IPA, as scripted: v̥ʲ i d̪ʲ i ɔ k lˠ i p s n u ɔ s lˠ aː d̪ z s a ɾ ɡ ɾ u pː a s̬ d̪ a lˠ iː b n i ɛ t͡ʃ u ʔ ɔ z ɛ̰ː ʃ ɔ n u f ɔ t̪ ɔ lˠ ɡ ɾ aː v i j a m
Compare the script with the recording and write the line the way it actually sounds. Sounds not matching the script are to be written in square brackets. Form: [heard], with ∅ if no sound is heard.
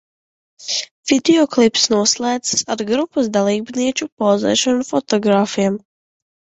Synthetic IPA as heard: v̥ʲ i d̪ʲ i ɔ k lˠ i p s n u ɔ s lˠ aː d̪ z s a ɾ ɡ ɾ u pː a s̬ d̪ a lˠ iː b n i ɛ t͡ʃ u [p] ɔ z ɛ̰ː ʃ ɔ n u f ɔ t̪ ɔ [∅] ɡ ɾ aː [f] i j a m